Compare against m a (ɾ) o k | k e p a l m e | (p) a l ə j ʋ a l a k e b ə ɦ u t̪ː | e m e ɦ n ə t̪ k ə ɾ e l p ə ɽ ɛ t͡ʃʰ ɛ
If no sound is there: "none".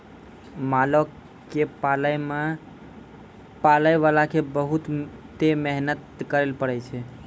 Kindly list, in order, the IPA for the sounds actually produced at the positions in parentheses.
l, p

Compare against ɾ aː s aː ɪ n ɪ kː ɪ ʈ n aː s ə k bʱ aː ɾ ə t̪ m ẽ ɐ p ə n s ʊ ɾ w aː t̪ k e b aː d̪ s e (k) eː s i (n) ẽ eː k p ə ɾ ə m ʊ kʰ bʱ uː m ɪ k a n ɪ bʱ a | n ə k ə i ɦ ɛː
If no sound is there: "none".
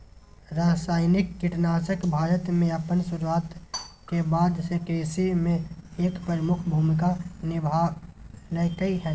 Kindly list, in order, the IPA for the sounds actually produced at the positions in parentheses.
k, m

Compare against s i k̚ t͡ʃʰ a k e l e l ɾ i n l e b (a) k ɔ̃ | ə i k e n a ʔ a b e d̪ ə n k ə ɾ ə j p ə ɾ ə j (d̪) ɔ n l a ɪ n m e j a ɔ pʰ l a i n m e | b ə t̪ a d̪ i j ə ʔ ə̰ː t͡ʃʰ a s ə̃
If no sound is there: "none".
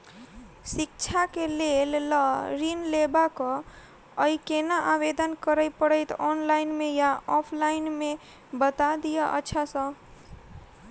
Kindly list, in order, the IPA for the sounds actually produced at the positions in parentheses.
a, t̪

